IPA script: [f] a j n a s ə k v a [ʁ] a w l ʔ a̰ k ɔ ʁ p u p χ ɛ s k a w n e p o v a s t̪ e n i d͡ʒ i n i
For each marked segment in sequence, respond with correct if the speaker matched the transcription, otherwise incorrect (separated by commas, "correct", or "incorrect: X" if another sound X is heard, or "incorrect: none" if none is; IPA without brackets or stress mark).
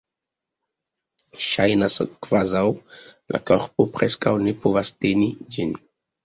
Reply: incorrect: ʃ, incorrect: z